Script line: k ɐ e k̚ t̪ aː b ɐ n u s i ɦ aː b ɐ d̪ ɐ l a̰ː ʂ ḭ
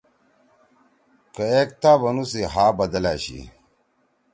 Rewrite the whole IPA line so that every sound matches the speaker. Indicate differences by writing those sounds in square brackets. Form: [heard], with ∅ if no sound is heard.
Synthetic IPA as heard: k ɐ e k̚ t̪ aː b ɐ n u s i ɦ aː b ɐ d̪ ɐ l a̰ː [ɕ] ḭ